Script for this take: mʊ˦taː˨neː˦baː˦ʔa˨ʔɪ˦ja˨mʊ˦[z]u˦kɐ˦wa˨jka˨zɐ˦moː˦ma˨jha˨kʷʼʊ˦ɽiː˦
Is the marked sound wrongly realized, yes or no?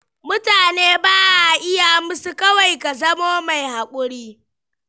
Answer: yes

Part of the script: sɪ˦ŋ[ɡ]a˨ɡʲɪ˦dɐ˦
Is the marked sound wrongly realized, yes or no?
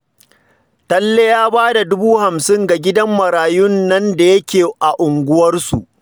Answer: no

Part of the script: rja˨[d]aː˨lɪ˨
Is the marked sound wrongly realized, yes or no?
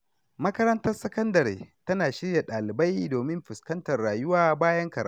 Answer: yes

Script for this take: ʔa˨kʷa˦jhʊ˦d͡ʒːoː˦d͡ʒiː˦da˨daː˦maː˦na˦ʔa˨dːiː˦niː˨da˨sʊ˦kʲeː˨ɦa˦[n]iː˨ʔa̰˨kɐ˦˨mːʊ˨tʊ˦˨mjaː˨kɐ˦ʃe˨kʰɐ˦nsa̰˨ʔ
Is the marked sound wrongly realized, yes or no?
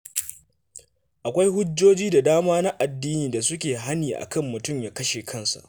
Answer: no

